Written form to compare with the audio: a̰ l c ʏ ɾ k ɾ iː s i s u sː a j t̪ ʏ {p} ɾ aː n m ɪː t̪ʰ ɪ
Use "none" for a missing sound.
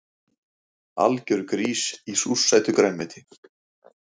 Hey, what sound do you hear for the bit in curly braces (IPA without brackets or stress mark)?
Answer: k